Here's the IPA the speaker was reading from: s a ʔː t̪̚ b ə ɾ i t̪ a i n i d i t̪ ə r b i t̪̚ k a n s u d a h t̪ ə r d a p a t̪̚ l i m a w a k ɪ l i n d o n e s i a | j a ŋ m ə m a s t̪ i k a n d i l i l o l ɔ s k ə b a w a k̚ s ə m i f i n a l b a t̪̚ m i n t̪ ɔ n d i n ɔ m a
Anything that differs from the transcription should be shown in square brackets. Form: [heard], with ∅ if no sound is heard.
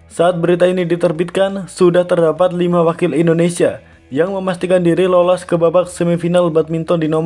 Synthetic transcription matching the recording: s a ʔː t̪̚ b ə ɾ i t̪ a i n i d i t̪ ə r b i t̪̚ k a n s u d a h t̪ ə r d a p a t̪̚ l i m a w a k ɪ l i n d o n e s i a | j a ŋ m ə m a s t̪ i k a n d i [ɾ] i l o l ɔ s k ə b a [b] a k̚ s ə m i f i n a l b a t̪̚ m i n t̪ ɔ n d i n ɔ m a